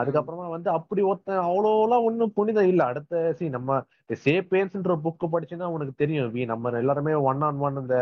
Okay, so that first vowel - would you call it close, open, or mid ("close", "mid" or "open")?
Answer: open